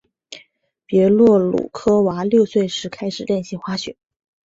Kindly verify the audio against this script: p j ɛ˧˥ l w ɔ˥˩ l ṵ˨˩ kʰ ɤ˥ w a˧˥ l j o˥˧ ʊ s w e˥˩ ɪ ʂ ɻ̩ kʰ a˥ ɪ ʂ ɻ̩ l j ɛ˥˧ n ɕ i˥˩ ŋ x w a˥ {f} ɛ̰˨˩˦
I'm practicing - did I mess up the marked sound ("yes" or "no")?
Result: yes